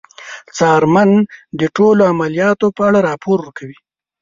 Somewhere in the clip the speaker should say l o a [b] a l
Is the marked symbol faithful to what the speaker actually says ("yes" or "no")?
no